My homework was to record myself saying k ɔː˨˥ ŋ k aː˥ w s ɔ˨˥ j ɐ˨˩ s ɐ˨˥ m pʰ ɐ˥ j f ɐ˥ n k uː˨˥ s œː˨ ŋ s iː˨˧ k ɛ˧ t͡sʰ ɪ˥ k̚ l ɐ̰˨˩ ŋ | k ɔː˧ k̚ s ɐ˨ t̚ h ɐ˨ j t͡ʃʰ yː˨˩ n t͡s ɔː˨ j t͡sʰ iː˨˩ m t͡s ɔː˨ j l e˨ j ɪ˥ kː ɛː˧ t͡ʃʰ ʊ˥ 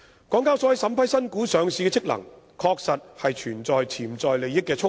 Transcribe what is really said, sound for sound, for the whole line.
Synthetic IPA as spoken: k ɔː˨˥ ŋ k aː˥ w s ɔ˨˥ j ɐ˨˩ s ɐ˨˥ m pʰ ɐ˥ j s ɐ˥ n k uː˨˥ s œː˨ ŋ s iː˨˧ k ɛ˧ t͡sʰ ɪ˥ k̚ l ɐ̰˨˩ ŋ | kʰ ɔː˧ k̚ s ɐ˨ t̚ h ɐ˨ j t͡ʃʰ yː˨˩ n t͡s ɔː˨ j t͡sʰ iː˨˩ m t͡s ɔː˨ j l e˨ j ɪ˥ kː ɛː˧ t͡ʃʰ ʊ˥